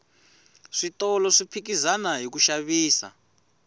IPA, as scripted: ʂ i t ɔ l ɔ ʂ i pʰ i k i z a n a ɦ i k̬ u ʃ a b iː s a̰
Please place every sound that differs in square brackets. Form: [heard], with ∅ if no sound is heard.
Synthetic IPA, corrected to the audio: ʂ i t ɔ l ɔ ʂ i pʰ i k i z a n a ɦ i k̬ u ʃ a [β] iː s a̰